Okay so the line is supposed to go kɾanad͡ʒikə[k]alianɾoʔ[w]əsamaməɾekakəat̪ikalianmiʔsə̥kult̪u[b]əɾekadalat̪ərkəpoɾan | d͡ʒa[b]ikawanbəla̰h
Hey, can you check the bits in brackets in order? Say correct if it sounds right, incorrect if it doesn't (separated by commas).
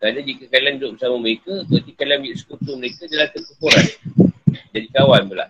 correct, incorrect, incorrect, incorrect